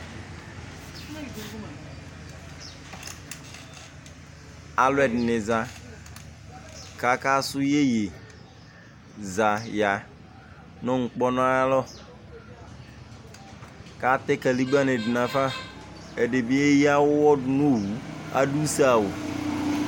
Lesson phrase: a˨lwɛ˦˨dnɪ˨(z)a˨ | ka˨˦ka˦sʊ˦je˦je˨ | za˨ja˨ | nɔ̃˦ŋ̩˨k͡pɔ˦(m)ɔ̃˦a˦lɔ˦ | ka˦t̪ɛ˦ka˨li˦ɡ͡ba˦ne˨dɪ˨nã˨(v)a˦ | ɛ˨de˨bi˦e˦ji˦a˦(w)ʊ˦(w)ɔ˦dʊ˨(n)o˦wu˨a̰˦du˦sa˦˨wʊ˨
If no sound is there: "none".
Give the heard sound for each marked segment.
z, n, f, w, w, n

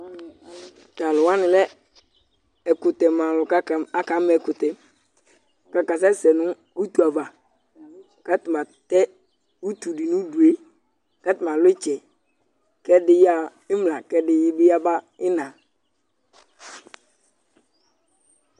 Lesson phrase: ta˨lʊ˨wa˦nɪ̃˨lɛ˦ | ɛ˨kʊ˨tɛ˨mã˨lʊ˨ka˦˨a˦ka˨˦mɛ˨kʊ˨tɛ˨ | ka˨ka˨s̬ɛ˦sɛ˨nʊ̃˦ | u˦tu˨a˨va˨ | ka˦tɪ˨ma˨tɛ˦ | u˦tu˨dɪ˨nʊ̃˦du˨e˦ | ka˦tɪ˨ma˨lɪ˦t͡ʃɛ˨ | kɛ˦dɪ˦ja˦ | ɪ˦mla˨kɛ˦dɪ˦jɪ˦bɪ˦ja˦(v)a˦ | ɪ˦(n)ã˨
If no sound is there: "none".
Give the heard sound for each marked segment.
b, n

